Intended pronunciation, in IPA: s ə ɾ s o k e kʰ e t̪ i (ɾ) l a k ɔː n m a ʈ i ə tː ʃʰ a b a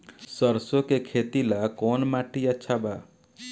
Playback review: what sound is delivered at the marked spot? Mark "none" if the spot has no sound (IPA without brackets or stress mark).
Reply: none